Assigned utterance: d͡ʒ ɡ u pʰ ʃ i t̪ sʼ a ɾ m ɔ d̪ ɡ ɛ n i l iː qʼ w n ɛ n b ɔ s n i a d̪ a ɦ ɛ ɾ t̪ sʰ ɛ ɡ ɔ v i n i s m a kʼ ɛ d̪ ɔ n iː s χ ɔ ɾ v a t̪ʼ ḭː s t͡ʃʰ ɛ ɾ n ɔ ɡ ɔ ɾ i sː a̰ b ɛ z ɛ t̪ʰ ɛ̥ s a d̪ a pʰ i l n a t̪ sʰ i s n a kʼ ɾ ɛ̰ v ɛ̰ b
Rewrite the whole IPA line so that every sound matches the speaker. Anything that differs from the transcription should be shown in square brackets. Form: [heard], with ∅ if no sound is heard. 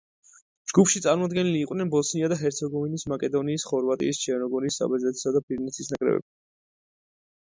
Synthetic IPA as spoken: d͡ʒ ɡ u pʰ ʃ i t̪ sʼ a ɾ m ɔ d̪ ɡ ɛ n i l iː qʼ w n ɛ n b ɔ s n i a d̪ a ɦ ɛ ɾ t̪ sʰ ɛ ɡ ɔ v i n i s m a kʼ ɛ d̪ ɔ n iː s χ ɔ ɾ v a t̪ʼ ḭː s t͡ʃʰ ɛ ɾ n ɔ ɡ ɔ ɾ i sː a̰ b ɛ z ɛ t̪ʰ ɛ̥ s a d̪ a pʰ i [ɾ] n [i] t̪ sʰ i s n a kʼ ɾ ɛ̰ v ɛ̰ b